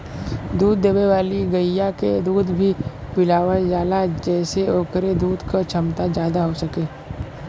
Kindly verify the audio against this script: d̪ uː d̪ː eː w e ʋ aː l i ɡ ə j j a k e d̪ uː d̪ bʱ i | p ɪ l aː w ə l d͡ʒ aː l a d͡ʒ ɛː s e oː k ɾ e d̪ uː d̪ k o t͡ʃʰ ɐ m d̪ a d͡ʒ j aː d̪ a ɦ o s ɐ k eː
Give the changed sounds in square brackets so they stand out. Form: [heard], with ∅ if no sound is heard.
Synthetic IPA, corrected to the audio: d̪ uː d̪ː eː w e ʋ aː l i ɡ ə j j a k e d̪ uː d̪ bʱ i | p ɪ l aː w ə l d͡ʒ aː l a d͡ʒ ɛː s e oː k ɾ e d̪ uː d̪ k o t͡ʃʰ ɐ m [t̪] a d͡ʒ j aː d̪ a ɦ o s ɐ k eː